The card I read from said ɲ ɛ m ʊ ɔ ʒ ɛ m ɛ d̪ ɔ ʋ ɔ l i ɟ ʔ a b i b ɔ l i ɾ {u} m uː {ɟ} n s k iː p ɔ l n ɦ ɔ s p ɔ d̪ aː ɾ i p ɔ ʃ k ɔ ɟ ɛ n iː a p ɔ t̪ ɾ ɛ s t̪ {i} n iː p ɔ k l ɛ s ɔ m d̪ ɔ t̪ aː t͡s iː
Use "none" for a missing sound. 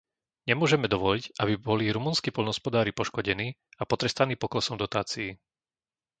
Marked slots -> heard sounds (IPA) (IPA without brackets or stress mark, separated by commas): u, none, a